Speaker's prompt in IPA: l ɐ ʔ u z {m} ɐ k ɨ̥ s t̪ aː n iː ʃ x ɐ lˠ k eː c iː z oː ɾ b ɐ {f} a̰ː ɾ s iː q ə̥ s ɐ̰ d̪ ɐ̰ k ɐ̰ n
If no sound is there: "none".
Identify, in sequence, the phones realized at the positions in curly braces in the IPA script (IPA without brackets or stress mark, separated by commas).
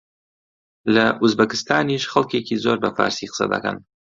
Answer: b, f